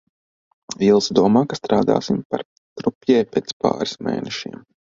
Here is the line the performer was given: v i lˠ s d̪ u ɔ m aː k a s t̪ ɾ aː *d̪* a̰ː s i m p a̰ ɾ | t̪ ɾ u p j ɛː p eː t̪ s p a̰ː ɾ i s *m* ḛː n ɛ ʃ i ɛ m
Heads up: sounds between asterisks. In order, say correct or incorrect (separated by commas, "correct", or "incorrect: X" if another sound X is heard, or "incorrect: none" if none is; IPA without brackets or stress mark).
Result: correct, correct